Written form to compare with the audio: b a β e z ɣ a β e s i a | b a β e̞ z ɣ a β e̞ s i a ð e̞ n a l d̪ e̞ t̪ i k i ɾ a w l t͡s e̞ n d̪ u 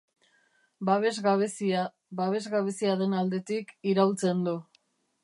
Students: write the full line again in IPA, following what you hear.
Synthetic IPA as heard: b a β e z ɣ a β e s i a | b a β e̞ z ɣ a β e̞ s i a ð e̞ n a l d̪ e̞ t̪ i k i ɾ a w l t͡s e̞ n d̪ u